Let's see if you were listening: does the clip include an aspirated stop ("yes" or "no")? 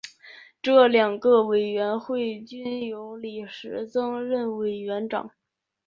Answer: no